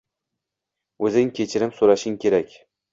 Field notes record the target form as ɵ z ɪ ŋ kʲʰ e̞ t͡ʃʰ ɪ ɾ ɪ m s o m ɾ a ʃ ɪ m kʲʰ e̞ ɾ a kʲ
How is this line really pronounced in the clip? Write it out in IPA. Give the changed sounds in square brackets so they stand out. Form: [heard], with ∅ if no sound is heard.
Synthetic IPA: ɵ z ɪ ŋ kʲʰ e̞ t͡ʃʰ ɪ ɾ ɪ m s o [∅] ɾ a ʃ ɪ [ŋ] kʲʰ e̞ ɾ a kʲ